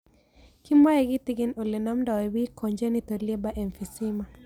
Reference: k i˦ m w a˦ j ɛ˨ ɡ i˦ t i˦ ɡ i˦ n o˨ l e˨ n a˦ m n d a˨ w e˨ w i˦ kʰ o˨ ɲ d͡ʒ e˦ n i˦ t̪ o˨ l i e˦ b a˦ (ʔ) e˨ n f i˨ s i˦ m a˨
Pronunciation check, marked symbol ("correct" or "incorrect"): correct